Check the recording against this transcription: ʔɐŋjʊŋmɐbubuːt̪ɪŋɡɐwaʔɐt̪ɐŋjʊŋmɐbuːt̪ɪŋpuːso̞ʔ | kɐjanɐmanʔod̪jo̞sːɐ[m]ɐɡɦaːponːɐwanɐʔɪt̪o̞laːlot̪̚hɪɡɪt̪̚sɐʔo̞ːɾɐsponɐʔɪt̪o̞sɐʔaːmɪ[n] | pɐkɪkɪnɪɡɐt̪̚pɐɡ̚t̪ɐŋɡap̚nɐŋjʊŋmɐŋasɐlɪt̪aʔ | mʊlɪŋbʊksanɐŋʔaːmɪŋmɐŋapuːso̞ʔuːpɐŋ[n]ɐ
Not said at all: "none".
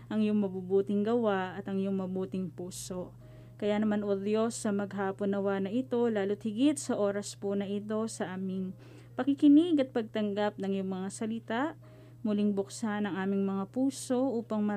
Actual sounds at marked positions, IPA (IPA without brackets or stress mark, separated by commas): m, ŋ, m